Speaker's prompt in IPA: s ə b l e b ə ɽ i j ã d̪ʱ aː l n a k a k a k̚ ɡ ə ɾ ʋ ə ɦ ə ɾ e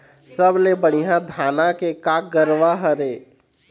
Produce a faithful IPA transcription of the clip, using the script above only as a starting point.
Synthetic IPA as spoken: s ə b l e b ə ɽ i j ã d̪ʱ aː n a k e k a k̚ ɡ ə ɾ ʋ a ɦ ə ɾ e